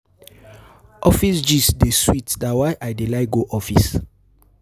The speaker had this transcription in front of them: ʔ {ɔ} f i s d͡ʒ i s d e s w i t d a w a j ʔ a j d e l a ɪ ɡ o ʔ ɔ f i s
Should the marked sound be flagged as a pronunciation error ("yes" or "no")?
no